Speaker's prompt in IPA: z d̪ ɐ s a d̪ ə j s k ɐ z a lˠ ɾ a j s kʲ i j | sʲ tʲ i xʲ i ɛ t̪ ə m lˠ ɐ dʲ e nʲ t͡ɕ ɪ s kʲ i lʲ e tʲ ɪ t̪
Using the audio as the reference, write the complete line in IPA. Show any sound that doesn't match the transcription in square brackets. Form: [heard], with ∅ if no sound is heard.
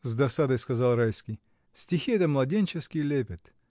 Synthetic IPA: z d̪ ɐ s a d̪ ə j s k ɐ z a lˠ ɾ a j s kʲ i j | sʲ tʲ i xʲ i ɛ t̪ ə m lˠ ɐ dʲ e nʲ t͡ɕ ɪ s kʲ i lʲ e [pʲ] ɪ t̪